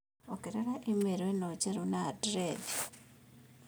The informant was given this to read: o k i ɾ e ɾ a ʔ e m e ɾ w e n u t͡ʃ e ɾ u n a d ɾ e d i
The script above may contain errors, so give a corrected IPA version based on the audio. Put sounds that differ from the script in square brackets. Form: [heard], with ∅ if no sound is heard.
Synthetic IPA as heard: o k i ɾ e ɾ a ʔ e m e ɾ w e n [o] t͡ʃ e ɾ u n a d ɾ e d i